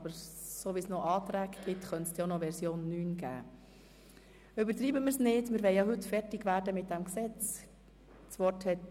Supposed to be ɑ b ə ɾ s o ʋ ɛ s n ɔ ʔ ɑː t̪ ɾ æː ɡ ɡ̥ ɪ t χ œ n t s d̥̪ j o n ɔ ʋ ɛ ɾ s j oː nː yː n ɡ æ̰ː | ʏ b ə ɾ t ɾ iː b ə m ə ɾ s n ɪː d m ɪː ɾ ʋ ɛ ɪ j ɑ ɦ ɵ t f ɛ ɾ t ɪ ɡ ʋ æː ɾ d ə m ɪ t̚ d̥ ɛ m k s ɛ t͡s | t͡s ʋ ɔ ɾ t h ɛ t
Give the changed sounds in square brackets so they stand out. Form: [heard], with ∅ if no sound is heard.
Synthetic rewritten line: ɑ b ə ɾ s o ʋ [i] s n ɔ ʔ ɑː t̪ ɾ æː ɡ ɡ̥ ɪ t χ œ n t s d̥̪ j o n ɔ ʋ ɛ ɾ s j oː nː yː n ɡ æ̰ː | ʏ b ə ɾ t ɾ iː b ə m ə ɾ s n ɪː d m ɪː ɾ ʋ ɛ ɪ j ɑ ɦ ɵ t f ɛ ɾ t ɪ ɡ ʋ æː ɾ d ə m ɪ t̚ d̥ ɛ m k s ɛ t͡s | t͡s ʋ ɔ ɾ t h ɛ t